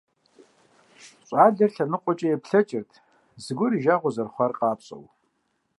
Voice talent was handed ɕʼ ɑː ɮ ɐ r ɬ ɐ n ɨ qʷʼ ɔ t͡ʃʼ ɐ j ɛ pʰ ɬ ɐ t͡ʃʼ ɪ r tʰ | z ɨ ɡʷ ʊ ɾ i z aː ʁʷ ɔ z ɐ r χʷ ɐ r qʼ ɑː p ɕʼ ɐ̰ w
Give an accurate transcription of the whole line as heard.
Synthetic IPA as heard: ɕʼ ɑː ɮ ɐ r ɬ ɐ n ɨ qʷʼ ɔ t͡ʃʼ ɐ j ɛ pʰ ɬ ɐ t͡ʃʼ ɪ r tʰ | z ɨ ɡʷ ʊ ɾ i ʒ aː ʁʷ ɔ z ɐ r χʷ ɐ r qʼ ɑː p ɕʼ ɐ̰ w